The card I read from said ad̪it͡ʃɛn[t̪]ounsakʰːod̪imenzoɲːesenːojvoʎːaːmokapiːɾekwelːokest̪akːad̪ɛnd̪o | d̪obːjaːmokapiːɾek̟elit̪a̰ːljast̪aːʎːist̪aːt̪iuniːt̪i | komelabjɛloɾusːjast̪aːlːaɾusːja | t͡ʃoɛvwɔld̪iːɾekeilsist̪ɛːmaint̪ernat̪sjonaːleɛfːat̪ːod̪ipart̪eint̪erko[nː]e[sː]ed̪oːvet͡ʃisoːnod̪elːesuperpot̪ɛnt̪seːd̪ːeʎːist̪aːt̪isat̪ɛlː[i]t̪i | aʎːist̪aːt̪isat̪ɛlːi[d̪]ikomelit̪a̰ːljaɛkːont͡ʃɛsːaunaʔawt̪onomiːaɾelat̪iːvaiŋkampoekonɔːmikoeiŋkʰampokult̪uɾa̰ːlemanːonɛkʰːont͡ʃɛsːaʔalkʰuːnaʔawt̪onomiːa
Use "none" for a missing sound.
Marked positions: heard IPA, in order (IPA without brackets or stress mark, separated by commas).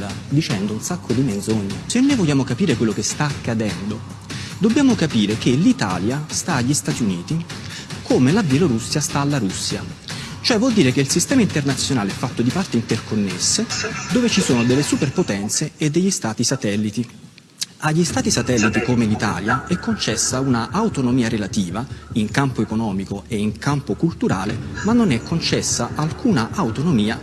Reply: d̪, nː, sː, i, t̪